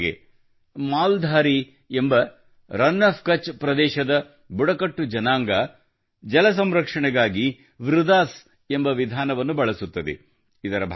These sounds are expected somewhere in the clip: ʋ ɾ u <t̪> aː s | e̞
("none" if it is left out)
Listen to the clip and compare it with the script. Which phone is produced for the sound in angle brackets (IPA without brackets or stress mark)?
d̪